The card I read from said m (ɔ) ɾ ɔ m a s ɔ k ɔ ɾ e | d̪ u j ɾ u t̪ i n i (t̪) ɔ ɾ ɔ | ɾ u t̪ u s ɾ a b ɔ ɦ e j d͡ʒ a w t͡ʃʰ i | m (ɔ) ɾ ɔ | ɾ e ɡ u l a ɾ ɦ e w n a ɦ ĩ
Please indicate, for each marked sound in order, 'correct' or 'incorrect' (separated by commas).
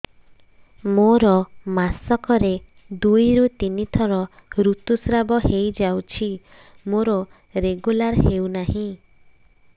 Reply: incorrect, incorrect, incorrect